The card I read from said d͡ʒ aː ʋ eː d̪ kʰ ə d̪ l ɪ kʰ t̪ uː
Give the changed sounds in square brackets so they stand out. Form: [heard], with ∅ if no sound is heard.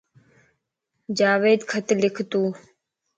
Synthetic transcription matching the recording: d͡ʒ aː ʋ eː d̪ kʰ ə [t̪] l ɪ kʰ t̪ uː